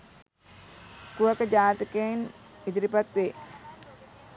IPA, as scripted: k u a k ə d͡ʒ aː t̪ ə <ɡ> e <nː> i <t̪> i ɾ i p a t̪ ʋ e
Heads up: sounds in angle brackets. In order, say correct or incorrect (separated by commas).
incorrect, incorrect, incorrect